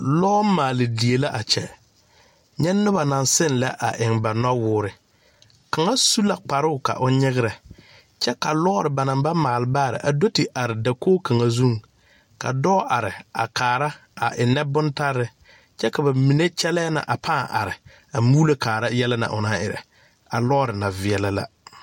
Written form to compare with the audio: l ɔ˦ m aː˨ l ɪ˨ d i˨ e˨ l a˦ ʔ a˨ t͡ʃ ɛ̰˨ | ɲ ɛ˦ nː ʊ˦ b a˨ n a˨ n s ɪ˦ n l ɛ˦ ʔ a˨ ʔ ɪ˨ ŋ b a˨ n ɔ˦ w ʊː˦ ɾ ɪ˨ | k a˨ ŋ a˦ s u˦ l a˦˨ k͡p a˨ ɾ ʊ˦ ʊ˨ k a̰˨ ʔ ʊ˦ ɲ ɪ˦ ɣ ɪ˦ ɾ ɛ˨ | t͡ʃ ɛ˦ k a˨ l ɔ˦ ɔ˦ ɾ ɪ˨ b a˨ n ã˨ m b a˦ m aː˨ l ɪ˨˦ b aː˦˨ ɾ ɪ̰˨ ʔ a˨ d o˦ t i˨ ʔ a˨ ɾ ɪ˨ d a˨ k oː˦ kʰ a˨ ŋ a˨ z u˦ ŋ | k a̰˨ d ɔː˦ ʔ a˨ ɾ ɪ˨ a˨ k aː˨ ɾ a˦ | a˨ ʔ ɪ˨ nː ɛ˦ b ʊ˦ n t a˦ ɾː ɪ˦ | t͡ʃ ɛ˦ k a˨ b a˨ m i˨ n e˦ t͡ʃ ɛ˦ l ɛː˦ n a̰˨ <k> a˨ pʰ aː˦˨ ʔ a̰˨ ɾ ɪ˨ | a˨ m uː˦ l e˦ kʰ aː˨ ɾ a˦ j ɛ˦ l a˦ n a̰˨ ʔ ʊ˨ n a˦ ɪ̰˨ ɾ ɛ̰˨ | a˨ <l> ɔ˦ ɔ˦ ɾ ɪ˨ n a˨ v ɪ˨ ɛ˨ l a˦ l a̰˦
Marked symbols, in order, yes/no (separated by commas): no, yes